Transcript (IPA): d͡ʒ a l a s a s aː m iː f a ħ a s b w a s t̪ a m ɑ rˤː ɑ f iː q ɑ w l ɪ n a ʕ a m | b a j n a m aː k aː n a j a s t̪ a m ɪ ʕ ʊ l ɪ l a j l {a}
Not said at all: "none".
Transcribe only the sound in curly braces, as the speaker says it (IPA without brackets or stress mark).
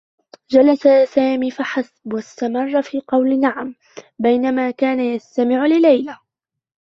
a